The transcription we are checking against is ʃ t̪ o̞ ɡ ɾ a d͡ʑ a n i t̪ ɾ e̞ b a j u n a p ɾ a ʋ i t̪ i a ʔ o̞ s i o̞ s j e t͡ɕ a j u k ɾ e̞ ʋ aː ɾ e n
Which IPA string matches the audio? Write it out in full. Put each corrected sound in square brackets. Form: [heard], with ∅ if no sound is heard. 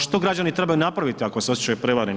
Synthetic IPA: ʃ t̪ o̞ ɡ ɾ a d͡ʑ a n i t̪ ɾ e̞ b a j u n a p ɾ a ʋ i t̪ i a [k] o̞ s [e] o̞ s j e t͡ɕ a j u [p] ɾ e̞ ʋ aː ɾ e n